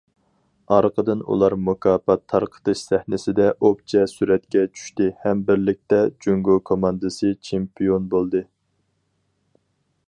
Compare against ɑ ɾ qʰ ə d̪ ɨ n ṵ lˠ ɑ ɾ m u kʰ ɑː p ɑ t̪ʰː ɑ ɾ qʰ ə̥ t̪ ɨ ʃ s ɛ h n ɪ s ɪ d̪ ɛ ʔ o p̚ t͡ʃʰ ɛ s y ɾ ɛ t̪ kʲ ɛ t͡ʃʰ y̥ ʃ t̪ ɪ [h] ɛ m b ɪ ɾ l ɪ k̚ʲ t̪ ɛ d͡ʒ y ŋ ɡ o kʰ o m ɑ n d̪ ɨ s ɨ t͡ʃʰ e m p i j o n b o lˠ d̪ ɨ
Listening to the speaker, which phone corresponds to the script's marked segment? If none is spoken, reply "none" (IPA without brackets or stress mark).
h